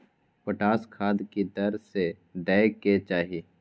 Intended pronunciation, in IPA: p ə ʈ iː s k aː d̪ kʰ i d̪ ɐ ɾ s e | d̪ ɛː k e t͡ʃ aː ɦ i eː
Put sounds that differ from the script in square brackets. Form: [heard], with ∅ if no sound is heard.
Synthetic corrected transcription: p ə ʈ [aː] s [kʰ] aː d̪ [k] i d̪ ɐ ɾ s e | d̪ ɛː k e t͡ʃ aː ɦ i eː